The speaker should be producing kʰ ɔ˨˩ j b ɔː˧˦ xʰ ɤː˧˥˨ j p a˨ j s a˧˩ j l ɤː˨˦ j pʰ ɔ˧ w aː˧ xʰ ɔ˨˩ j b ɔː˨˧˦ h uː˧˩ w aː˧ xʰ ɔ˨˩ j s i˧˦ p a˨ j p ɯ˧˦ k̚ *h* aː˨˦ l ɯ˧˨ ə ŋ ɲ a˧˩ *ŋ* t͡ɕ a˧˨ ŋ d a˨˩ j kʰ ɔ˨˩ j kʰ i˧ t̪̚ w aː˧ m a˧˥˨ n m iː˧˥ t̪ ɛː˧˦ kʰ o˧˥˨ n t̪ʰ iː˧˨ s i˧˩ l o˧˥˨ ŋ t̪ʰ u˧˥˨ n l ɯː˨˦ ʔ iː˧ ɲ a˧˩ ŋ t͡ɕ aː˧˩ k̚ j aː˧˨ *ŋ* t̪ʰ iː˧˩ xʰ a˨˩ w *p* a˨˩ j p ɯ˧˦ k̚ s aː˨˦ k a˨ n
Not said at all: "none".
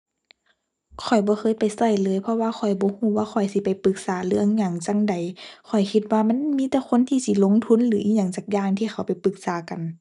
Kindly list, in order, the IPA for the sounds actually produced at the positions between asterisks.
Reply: s, ŋ, ŋ, p

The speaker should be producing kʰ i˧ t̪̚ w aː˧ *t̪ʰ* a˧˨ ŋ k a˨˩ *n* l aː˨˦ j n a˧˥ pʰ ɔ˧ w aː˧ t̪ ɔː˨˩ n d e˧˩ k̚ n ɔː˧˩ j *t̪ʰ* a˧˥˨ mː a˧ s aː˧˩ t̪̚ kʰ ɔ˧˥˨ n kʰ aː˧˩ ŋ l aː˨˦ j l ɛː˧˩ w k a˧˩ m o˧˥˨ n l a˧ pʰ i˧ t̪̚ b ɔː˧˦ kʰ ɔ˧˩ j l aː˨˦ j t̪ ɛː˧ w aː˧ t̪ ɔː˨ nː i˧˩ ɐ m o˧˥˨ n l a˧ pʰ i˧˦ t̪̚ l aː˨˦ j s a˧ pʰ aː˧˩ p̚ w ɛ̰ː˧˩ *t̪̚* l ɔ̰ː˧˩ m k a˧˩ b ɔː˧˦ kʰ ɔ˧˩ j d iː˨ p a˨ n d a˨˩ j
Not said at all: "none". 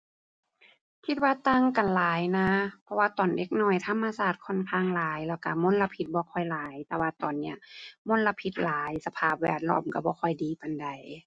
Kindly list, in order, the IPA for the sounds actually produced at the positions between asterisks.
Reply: t̪, n, t̪ʰ, t̪̚

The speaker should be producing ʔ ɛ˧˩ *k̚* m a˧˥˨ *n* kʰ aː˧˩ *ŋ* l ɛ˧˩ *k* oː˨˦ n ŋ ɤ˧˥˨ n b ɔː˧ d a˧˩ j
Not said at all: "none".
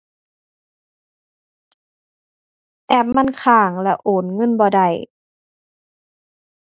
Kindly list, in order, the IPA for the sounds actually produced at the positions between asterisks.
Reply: p̚, n, ŋ, ʔ

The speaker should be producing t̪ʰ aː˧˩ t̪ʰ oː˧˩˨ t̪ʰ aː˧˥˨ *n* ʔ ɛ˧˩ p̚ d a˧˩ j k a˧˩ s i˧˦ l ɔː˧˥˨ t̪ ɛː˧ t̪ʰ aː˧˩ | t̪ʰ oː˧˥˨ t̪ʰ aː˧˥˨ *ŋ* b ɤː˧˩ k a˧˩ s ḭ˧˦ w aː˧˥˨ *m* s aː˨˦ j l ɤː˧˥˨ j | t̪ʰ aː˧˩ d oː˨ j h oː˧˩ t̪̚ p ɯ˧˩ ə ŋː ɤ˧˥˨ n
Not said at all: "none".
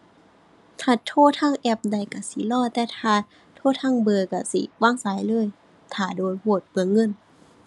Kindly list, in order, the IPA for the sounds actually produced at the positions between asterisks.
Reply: ŋ, ŋ, ŋ

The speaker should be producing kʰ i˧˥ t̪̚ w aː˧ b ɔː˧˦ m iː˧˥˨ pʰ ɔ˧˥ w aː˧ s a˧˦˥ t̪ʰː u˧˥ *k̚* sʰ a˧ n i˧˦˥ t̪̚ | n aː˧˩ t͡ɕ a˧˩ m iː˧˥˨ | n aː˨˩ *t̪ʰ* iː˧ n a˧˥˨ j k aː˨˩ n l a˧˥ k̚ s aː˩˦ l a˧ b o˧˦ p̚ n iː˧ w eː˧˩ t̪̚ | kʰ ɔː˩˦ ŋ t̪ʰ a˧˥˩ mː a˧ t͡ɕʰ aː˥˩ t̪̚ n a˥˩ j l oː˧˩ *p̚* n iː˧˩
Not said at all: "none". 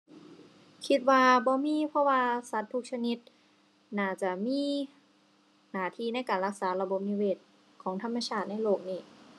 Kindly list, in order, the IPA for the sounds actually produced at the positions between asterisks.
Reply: k̚, t̪ʰ, k̚

